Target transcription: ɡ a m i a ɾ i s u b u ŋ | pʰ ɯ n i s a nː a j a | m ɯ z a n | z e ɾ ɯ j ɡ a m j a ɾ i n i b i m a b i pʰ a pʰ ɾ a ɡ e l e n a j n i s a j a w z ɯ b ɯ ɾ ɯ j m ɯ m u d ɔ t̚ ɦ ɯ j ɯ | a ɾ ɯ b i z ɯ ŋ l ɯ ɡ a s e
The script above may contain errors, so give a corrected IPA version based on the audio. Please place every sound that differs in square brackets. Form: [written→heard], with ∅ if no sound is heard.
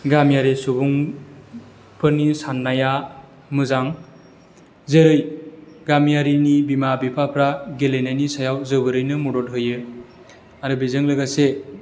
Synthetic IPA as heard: ɡ a m [i→j] a ɾ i s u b u ŋ | pʰ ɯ n i s a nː a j a | m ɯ z a [n→ŋ] | z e ɾ ɯ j ɡ a m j a ɾ i n i b i m a b i pʰ a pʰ ɾ a ɡ e l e n a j n i s a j a w z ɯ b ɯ ɾ ɯ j [m→n] ɯ m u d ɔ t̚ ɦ ɯ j ɯ | a ɾ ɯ b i z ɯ ŋ l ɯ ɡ a s e